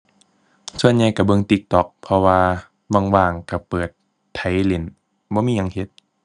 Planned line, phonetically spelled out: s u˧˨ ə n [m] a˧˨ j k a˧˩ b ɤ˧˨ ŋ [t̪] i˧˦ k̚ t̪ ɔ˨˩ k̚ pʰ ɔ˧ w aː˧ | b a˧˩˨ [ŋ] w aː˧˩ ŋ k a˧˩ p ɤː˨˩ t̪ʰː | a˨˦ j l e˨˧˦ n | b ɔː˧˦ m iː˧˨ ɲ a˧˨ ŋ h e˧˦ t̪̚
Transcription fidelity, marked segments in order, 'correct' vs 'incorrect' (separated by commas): incorrect, correct, correct